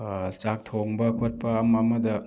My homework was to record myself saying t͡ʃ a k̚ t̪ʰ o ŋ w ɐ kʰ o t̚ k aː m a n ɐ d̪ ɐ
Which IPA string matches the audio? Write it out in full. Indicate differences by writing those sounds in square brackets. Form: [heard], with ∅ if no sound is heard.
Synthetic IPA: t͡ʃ a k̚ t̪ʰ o ŋ [b] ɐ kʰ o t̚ [p] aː m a [m] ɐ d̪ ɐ